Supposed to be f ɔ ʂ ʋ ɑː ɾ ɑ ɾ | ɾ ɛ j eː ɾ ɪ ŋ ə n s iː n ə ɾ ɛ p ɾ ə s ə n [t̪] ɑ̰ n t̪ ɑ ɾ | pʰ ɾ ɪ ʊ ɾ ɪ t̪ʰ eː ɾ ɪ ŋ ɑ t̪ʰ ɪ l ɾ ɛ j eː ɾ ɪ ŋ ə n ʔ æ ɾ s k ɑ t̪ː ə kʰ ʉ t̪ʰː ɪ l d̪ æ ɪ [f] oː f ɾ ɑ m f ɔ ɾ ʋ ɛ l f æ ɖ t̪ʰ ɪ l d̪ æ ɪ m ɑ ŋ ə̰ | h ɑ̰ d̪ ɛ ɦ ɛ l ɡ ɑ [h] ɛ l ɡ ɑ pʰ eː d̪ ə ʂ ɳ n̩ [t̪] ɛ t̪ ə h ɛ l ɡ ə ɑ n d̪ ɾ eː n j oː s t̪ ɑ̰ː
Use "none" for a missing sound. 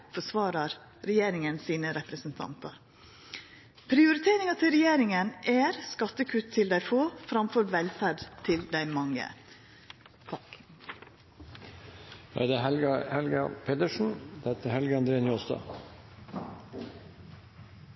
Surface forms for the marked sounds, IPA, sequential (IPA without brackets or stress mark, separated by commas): t̪ʰ, f, h, d̪